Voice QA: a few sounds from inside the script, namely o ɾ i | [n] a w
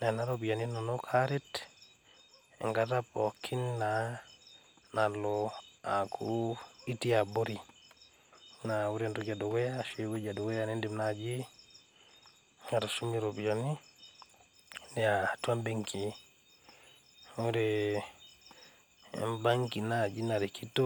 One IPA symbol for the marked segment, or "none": n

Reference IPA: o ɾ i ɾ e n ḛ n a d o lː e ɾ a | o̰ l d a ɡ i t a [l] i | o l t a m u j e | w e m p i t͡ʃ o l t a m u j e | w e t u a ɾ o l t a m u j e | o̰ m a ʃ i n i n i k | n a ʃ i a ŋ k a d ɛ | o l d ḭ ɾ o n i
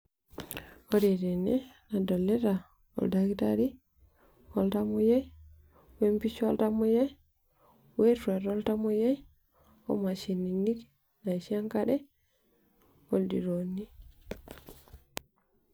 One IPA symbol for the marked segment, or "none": ɾ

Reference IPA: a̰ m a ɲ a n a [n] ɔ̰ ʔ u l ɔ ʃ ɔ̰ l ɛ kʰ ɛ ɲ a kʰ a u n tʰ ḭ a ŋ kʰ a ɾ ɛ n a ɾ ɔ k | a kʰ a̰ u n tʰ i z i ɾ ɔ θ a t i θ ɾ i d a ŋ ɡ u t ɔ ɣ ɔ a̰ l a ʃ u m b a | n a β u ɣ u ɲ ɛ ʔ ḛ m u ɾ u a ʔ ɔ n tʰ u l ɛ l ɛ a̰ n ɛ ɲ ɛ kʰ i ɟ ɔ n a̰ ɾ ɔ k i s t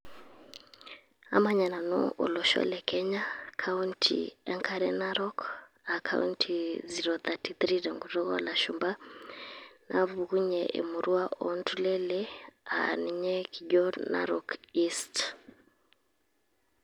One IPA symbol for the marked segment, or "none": n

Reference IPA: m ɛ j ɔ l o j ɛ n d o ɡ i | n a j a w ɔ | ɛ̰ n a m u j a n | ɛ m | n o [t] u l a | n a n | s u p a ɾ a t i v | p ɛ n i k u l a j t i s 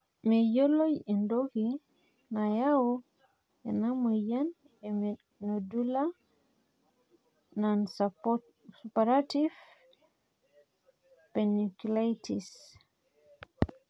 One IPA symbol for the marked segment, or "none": d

